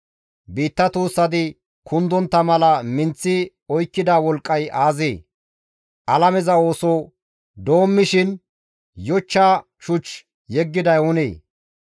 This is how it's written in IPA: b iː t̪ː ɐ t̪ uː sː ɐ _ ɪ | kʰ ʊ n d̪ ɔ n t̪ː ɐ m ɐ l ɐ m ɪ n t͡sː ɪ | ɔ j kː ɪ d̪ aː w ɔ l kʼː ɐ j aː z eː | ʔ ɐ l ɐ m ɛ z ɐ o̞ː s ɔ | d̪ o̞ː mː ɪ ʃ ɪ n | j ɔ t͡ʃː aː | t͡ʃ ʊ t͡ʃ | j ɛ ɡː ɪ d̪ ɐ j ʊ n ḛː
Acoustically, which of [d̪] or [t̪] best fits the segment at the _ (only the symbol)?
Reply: d̪